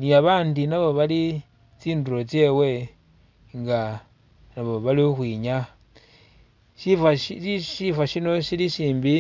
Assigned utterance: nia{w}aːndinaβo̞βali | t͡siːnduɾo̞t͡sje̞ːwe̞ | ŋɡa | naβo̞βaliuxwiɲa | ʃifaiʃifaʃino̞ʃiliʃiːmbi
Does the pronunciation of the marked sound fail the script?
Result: yes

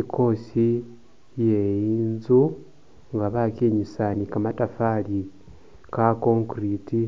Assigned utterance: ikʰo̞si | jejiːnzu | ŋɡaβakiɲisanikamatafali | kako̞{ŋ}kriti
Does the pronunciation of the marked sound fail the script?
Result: no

